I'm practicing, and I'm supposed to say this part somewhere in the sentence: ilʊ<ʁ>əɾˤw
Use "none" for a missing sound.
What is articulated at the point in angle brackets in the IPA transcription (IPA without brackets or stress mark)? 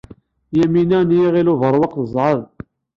v